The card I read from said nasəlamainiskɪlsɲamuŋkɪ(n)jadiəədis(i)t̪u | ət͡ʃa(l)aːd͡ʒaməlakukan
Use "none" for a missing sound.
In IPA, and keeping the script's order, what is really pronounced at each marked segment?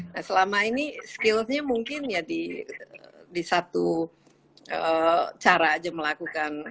n, a, ɾ

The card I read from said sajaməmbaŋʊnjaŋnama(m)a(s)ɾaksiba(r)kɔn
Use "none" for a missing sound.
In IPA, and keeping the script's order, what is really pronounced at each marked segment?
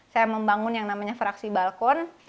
ɲ, f, l

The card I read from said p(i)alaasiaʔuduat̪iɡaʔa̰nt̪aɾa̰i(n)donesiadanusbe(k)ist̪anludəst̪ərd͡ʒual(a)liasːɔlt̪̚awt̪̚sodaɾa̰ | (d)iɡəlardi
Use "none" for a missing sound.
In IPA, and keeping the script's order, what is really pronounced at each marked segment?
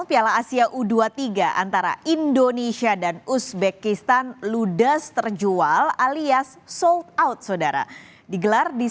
i, n, k, a, d

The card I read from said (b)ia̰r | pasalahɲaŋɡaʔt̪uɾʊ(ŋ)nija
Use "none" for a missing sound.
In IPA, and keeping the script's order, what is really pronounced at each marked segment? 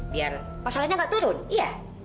b, none

